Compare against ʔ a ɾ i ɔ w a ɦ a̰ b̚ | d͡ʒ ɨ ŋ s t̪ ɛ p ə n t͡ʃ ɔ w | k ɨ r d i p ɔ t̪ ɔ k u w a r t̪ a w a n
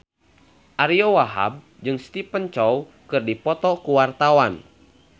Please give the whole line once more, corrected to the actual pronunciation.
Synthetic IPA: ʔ a ɾ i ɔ w a ɦ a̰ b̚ | d͡ʒ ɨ ŋ s t̪ i p ə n t͡ʃ ɔ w | k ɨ r d i p ɔ t̪ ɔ k u w a r t̪ a w a n